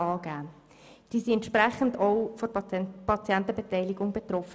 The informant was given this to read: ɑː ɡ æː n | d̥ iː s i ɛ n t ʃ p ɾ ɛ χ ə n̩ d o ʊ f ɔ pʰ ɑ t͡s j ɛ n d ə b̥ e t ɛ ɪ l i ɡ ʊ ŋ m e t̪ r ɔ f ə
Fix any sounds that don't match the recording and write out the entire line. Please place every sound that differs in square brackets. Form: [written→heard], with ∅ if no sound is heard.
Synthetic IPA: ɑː ɡ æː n | d̥ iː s i ɛ n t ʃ p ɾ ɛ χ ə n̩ d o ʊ f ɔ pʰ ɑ t͡s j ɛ n [d→t] ə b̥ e t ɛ ɪ l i ɡ ʊ ŋ [m→b] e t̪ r ɔ f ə